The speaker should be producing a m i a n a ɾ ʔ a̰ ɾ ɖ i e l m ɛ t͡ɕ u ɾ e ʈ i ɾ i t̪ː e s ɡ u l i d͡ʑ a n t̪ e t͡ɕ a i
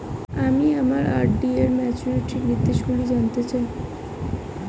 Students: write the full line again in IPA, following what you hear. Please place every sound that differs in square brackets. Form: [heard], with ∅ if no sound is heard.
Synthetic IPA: a m i a [m] a ɾ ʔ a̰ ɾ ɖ i e [ɾ] m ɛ t͡ɕ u ɾ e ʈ i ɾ i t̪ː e [ʃ] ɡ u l i d͡ʑ a n t̪ e t͡ɕ a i